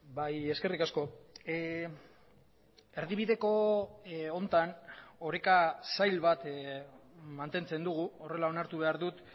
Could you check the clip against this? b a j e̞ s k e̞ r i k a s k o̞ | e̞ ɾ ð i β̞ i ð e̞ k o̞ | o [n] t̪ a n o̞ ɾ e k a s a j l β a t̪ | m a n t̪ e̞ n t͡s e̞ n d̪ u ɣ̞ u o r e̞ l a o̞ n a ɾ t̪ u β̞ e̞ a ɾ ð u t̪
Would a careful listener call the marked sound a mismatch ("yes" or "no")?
no